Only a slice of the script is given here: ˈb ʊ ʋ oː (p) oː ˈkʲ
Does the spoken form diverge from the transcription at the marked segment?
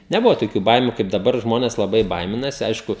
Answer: yes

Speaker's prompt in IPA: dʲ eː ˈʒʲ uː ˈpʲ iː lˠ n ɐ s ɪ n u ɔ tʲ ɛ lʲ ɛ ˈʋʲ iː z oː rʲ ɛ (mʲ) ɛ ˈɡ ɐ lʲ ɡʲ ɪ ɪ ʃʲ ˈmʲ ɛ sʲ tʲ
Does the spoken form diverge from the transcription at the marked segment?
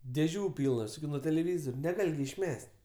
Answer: yes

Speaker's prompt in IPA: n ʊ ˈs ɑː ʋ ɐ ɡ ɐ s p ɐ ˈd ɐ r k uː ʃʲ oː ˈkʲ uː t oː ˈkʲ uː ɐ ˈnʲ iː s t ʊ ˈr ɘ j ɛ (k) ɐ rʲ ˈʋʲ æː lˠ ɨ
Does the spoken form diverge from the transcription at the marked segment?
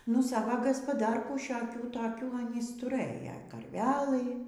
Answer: no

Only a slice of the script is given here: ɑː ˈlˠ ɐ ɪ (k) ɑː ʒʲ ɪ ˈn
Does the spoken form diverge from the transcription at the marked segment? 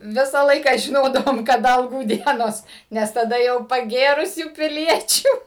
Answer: no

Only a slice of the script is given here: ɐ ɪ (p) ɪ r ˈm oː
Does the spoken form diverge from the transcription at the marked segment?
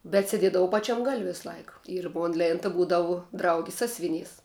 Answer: yes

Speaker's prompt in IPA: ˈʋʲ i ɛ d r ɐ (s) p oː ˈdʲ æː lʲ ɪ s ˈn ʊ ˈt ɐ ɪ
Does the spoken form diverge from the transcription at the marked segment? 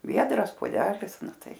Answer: no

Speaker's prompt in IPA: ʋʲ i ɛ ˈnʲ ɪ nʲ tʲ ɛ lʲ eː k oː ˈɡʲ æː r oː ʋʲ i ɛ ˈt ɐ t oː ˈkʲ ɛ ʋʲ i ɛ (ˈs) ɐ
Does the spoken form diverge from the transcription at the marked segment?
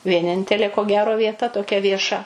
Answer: yes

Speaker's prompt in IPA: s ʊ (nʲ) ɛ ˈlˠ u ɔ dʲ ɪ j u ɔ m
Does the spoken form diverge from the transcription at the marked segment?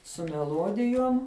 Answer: yes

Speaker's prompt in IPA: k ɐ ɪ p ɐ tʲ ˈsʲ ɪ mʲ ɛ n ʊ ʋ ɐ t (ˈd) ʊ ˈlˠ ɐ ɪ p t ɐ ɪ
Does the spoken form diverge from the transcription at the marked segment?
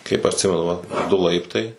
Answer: no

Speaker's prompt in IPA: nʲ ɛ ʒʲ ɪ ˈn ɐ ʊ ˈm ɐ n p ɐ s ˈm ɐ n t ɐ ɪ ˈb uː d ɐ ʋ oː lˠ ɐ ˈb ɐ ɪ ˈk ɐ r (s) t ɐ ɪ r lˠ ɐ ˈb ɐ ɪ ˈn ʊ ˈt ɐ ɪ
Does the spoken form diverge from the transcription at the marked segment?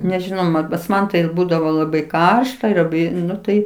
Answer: yes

